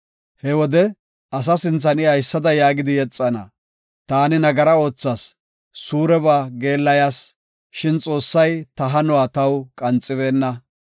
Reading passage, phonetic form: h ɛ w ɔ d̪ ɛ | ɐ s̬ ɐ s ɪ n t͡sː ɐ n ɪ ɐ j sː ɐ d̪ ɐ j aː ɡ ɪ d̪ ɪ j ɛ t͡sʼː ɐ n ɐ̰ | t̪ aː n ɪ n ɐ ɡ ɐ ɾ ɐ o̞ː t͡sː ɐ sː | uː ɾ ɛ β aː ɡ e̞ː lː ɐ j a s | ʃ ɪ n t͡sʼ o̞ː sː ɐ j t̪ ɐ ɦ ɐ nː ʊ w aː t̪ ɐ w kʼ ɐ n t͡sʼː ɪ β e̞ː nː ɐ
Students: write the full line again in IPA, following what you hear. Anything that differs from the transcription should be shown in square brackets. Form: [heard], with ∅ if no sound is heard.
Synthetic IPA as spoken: h ɛ w ɔ d̪ ɛ | ɐ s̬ ɐ s ɪ n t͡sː ɐ n ɪ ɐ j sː ɐ d̪ ɐ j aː ɡ ɪ d̪ ɪ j ɛ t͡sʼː ɐ n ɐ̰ | t̪ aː n ɪ n ɐ ɡ ɐ ɾ ɐ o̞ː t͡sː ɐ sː | uː ɾ ɛ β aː ɡ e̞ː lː ɐ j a s | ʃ ɪ n t͡sʼ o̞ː sː ɐ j t̪ ɐ ɦ ɐ [n] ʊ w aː t̪ ɐ w kʼ ɐ n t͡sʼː ɪ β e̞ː nː ɐ